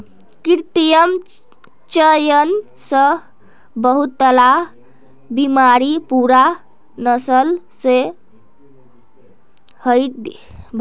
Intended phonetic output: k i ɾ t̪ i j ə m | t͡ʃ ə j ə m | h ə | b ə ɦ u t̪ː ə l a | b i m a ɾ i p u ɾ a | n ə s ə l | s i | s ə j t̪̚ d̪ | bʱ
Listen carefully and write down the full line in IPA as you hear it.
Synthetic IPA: k i ɾ t̪ i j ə m | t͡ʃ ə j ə n | s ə | b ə ɦ u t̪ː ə l a | b i m a ɾ i p u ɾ a | n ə s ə l | s e | h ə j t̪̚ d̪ | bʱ